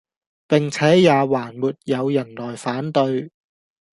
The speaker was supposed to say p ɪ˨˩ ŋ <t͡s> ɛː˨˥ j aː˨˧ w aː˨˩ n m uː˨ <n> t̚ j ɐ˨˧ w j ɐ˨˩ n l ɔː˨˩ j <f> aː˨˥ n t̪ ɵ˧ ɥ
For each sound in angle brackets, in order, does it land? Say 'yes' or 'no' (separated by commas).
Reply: no, no, yes